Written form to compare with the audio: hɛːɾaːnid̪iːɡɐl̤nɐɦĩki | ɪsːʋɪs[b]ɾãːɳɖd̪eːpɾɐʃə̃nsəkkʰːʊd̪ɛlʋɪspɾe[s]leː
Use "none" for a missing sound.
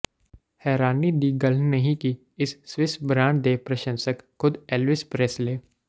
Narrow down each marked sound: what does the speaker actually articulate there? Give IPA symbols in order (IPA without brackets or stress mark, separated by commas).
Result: b, s